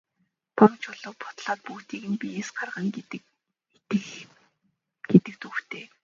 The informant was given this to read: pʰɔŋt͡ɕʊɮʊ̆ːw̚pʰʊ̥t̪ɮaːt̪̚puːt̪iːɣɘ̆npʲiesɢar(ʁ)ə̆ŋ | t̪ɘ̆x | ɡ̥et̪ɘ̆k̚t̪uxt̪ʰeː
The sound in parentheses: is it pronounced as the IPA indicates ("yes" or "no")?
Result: yes